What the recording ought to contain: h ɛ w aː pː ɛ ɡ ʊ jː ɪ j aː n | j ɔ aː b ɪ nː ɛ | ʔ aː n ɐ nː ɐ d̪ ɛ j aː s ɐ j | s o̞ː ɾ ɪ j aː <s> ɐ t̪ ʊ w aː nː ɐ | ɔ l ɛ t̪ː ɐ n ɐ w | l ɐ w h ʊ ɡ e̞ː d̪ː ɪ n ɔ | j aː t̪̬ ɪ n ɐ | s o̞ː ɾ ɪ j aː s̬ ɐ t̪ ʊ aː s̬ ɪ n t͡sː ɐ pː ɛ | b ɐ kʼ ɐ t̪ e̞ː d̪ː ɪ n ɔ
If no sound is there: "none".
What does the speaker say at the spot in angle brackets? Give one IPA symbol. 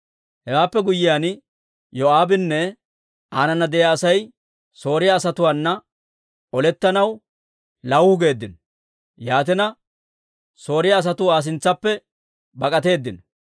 s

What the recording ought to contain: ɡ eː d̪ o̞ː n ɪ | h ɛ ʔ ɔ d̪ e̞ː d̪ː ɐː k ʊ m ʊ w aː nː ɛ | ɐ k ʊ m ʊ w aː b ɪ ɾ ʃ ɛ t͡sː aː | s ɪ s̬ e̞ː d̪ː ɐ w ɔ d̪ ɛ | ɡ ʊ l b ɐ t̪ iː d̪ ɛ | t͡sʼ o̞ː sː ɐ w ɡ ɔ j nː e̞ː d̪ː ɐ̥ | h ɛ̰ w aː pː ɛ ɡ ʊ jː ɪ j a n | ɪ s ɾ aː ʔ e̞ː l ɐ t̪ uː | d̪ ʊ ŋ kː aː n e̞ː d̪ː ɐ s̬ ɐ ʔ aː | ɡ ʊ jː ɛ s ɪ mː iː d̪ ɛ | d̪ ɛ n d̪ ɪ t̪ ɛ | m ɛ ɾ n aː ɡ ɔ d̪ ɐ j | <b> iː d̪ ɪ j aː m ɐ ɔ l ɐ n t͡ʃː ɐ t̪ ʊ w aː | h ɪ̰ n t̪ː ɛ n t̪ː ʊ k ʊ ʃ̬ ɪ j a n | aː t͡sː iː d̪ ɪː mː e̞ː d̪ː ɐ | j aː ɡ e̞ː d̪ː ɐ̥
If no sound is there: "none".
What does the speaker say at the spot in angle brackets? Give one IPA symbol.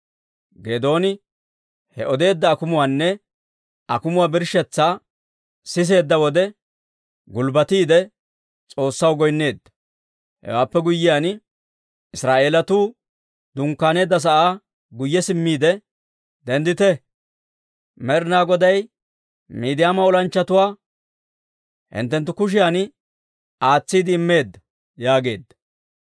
m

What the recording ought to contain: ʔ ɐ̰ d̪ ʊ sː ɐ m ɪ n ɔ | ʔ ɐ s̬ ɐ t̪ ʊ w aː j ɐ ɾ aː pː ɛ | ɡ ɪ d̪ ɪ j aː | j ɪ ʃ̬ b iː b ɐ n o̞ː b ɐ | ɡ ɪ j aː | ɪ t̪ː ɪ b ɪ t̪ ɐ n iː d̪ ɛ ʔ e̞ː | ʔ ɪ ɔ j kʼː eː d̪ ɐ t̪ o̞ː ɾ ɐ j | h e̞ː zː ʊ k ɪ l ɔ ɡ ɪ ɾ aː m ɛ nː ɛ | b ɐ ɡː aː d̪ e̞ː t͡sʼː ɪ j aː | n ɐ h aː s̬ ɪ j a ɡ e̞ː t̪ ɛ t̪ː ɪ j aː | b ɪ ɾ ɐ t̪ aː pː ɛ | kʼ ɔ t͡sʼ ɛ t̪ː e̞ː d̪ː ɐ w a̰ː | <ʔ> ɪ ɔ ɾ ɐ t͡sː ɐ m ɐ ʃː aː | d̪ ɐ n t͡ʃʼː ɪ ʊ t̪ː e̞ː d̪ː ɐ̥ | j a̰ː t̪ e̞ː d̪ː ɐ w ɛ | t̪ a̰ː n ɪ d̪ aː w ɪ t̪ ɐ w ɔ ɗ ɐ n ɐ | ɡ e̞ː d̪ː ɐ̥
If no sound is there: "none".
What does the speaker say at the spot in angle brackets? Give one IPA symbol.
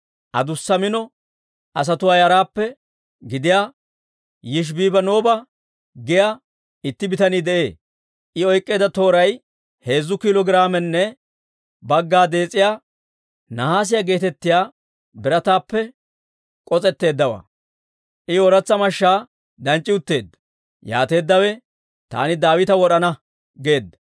ʔ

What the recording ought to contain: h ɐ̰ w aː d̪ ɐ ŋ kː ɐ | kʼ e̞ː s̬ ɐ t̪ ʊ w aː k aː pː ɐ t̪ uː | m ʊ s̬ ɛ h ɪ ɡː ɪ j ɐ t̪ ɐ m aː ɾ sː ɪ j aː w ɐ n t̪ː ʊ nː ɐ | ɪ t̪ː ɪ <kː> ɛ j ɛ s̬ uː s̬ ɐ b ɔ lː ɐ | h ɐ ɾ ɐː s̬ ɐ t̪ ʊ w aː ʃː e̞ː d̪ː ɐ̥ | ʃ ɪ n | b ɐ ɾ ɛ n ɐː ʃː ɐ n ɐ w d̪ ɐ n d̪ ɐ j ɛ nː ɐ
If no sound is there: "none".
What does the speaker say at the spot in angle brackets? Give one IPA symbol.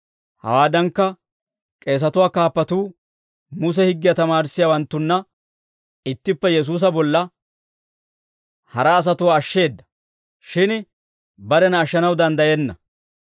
pː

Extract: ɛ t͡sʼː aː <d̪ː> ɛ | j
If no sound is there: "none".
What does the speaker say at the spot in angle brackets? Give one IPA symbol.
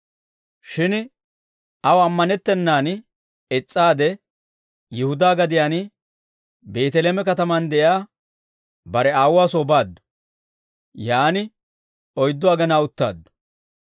d̪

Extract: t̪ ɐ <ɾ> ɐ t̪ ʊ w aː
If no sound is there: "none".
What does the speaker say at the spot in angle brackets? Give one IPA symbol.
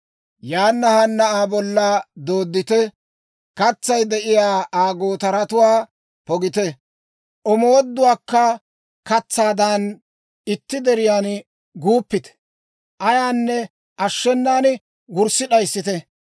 ɾ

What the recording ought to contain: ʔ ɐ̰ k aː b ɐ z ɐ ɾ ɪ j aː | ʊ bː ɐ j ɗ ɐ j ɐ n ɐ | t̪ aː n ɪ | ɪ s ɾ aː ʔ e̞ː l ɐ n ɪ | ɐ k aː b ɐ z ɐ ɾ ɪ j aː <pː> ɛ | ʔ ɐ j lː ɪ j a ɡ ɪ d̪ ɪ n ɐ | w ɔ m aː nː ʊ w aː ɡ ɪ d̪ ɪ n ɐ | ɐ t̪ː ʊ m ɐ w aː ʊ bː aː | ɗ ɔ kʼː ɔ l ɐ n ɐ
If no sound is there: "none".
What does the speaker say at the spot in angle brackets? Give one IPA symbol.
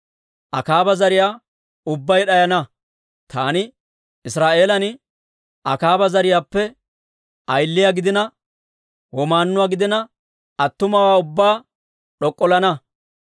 pː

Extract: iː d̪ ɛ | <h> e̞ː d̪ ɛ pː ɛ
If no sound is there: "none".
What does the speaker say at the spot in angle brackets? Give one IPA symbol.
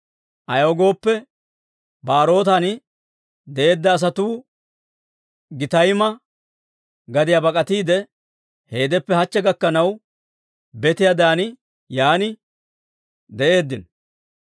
h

